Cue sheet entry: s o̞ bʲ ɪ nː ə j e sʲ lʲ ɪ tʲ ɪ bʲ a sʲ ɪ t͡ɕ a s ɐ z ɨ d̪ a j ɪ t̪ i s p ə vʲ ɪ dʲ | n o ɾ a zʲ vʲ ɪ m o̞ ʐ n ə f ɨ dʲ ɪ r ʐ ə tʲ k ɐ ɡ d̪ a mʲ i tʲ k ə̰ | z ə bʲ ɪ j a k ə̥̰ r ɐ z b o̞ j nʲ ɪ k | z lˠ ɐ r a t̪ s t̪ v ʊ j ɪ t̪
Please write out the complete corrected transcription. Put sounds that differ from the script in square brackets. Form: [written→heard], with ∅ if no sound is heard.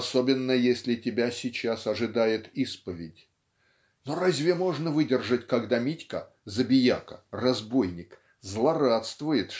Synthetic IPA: s o̞ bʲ ɪ nː ə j e sʲ lʲ ɪ tʲ ɪ bʲ a sʲ ɪ t͡ɕ a s ɐ [z→ʐ] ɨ d̪ a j ɪ t̪ i s p ə vʲ ɪ dʲ | n o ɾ a zʲ vʲ ɪ m o̞ ʐ n ə [f→v] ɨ dʲ ɪ r ʐ ə tʲ k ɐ ɡ d̪ a mʲ i tʲ k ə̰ | z ə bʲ ɪ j a k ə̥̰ r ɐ z b o̞ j nʲ ɪ k | z lˠ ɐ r a t̪ s t̪ v ʊ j ɪ t̪